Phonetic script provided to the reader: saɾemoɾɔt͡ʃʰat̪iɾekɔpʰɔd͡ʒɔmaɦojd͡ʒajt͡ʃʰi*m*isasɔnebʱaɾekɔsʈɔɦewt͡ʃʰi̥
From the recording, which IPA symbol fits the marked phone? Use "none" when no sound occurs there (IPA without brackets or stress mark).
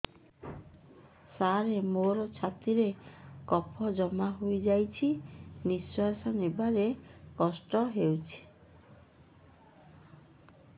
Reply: n